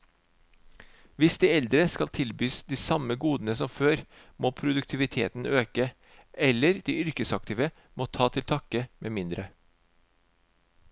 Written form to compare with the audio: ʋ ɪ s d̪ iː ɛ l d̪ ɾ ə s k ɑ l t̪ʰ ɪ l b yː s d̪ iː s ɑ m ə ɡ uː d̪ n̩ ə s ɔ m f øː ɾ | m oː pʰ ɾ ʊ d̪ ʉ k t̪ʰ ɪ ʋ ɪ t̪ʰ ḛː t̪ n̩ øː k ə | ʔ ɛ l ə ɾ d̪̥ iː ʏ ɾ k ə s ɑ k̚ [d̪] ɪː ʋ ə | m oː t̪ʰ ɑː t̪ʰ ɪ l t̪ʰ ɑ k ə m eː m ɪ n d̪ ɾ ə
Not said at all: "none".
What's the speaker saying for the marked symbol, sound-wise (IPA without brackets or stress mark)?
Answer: t̪